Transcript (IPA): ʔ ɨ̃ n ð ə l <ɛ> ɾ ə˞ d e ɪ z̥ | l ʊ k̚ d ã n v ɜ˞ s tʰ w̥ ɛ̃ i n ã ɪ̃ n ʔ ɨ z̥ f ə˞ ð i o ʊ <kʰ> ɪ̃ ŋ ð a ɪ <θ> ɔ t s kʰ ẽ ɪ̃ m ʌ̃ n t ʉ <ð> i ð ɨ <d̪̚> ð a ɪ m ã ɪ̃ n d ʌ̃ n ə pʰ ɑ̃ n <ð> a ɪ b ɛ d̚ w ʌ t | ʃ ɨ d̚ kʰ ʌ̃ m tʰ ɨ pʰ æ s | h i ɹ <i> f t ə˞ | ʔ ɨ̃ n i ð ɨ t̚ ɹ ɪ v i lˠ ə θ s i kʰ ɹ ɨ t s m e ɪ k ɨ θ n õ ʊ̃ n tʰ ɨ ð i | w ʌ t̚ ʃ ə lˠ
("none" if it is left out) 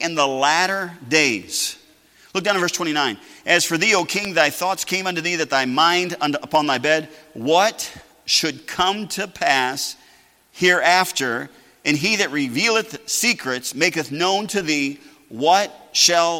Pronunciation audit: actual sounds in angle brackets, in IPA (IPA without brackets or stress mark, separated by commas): æ, kʰ, θ, ð, t̪̚, ð, æ